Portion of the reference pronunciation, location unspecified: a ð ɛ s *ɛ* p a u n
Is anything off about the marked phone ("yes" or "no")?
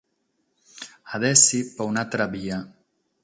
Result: yes